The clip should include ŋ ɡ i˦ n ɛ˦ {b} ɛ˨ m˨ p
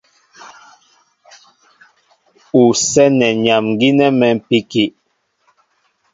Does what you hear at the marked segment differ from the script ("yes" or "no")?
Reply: yes